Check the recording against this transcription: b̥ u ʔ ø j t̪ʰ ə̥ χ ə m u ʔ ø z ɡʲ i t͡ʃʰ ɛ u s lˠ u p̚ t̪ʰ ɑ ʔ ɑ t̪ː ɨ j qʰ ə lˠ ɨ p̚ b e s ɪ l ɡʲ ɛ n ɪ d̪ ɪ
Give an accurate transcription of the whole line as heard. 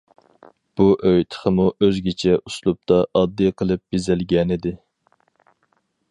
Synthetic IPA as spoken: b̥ u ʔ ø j t̪ʰ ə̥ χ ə m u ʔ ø z ɡʲ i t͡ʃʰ ɛ u s lˠ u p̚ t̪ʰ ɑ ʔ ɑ d̪ː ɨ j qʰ ə lˠ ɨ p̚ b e z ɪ l ɡʲ ɛ n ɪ d̪ ɪ